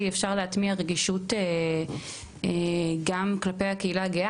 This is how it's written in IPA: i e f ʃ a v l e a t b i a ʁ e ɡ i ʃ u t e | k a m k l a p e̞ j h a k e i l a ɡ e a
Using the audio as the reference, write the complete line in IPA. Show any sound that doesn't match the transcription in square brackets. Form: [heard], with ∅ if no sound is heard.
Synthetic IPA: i e f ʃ a [ʁ] l e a t [m] i a ʁ e ɡ i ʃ u t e | [ɡ] a m k l a p e̞ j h a k e i l a ɡ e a